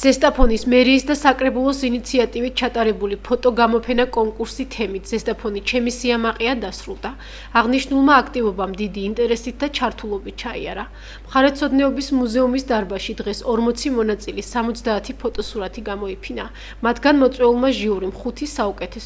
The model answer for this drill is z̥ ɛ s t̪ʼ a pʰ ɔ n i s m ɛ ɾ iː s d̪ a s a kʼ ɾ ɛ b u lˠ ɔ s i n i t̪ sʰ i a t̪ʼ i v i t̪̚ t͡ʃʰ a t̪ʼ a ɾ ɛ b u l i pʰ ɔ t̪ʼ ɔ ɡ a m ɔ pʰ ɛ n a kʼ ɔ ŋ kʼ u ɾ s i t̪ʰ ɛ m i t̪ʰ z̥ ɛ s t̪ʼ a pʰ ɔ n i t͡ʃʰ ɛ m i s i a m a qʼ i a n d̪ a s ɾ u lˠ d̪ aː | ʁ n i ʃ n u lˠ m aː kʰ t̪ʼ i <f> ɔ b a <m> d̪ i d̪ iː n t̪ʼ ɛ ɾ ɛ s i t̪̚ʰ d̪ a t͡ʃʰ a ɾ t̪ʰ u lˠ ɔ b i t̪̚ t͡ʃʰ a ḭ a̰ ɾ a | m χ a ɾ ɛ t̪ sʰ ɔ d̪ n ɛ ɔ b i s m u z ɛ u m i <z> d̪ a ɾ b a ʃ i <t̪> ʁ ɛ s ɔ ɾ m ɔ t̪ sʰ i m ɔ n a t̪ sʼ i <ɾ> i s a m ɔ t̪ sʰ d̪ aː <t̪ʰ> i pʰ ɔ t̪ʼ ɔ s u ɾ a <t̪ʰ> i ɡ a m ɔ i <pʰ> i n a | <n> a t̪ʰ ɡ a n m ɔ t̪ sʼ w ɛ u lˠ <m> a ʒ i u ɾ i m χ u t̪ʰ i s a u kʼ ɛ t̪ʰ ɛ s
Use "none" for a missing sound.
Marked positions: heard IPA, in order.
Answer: v, m, s, d̪, l, t̪ʰ, t̪ʰ, pʰ, m, m

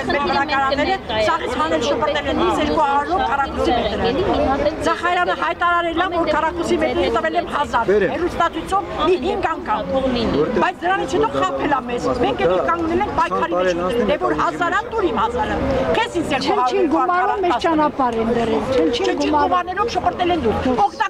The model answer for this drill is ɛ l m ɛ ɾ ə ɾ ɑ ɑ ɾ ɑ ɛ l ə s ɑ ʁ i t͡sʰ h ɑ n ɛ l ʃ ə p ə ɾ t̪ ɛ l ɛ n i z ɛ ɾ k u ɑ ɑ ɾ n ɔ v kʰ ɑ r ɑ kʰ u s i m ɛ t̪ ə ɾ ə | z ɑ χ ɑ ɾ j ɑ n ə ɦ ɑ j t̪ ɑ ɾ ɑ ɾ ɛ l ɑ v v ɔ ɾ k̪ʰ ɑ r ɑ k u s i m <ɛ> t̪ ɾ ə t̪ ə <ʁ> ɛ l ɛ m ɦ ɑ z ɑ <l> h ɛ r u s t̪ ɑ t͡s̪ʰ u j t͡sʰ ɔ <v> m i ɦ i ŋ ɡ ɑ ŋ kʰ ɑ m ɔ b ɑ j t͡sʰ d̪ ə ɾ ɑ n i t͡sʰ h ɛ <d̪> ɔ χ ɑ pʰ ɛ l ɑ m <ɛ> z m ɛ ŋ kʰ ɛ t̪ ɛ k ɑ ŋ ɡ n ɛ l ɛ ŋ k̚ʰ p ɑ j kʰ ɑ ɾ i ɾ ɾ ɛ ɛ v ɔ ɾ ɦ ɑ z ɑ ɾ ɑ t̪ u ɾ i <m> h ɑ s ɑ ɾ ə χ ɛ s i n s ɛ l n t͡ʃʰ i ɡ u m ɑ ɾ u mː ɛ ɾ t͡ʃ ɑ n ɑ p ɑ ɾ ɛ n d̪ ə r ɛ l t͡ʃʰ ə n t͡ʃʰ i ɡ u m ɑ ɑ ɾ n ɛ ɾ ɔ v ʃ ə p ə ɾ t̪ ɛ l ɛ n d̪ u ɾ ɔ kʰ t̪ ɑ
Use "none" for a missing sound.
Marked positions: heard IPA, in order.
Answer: ɛ, v, ɾ, v, t̪, ɛ, m

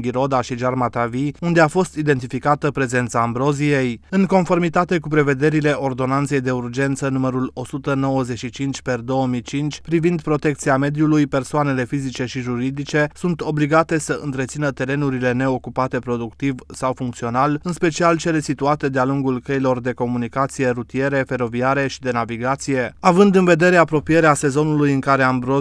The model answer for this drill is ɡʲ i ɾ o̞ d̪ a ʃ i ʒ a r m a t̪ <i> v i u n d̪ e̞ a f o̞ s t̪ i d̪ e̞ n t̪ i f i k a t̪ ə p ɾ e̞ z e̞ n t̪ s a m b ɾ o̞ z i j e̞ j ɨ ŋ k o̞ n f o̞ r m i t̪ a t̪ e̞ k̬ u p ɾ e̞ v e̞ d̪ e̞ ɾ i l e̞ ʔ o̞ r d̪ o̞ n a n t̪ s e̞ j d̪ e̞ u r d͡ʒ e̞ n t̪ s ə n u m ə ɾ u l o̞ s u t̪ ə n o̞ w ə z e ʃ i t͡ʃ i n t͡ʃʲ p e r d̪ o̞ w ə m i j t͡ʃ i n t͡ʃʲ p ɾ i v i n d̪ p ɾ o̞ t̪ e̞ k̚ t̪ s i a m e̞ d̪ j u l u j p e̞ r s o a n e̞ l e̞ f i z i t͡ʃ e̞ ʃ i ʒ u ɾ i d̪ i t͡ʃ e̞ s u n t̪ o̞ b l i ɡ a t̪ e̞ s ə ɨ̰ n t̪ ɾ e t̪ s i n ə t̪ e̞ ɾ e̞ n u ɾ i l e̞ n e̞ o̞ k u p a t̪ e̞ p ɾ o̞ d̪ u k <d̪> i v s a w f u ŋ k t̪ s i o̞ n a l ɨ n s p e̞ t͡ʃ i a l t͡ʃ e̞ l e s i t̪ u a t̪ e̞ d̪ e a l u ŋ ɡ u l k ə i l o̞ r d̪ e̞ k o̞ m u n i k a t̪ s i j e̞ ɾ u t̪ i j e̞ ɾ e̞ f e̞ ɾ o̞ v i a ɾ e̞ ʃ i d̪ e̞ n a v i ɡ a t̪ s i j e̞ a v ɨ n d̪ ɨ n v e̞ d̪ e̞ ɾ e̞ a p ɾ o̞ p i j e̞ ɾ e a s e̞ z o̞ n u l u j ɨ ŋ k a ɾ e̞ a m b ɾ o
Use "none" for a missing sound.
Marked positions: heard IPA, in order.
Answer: a, t̪

